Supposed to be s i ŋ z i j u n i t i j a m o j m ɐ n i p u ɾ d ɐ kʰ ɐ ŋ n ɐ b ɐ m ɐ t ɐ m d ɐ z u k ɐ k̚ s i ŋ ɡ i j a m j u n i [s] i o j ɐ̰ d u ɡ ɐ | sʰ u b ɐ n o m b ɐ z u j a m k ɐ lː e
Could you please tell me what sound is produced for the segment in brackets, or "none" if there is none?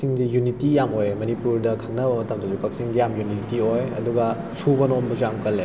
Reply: t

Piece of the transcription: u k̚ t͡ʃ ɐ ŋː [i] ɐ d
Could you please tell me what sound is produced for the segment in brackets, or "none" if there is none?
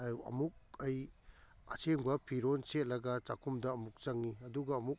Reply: i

